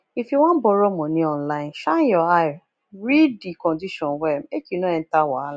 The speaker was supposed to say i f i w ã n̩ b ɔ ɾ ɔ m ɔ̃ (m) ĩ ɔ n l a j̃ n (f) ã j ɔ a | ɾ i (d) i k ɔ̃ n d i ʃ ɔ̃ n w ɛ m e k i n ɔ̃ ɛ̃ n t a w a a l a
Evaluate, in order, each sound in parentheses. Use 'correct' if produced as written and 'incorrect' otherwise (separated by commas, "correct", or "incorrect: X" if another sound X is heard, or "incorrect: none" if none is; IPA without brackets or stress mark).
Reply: incorrect: n, incorrect: ʃ, correct